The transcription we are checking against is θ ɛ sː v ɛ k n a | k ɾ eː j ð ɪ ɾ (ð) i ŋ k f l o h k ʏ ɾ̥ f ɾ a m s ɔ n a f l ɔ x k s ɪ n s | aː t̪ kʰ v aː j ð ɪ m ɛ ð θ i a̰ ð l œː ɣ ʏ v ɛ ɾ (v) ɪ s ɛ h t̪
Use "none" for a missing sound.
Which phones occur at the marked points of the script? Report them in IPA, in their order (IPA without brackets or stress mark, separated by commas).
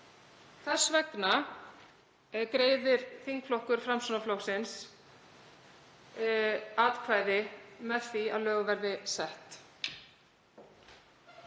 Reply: θ, ð